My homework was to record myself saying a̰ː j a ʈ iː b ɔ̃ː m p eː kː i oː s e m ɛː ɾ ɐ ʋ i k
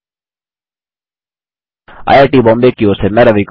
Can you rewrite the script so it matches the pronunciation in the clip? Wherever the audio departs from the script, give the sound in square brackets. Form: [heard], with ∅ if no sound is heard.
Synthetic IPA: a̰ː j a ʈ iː b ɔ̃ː m [b] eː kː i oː s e m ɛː ɾ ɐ ʋ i k